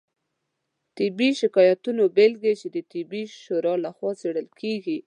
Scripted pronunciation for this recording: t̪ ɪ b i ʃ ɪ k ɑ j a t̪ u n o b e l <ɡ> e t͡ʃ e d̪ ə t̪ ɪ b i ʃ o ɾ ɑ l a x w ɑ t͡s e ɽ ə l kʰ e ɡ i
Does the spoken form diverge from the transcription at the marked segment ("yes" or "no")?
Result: no